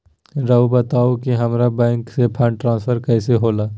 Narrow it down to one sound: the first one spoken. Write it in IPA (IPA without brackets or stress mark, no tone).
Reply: ɾ